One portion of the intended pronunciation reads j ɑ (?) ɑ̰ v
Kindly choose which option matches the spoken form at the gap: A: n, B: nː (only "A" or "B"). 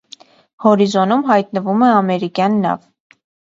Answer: B